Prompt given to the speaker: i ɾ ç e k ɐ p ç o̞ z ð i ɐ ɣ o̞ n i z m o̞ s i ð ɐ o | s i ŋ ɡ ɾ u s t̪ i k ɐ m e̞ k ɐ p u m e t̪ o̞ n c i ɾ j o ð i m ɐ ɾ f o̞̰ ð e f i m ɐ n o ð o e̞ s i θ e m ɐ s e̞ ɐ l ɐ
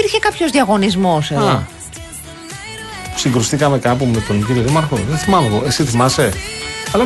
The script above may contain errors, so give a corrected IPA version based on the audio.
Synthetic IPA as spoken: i ɾ ç e k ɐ p ç o̞ z ð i ɐ ɣ o̞ n i z m o̞ s e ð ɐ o | s i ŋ ɡ ɾ u s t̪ i k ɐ m e̞ k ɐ p u m e t̪ o̞ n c i ɾ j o ð i m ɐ ɾ x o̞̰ ð e θ i m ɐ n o ɣ o e̞ s i θ i m ɐ s e̞ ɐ l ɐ